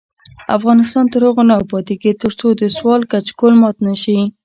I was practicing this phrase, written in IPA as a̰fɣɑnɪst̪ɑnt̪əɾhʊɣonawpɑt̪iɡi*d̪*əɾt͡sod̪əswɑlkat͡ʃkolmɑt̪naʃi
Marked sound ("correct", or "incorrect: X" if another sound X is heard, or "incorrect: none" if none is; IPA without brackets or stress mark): incorrect: t̪